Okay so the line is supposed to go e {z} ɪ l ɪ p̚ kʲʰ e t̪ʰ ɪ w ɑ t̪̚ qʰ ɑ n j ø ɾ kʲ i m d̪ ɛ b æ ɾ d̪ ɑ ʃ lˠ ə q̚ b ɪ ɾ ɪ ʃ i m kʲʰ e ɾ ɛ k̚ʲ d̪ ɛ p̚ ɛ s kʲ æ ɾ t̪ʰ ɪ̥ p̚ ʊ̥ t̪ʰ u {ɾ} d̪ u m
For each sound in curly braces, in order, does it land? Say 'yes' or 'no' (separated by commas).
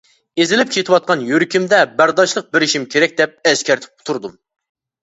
yes, yes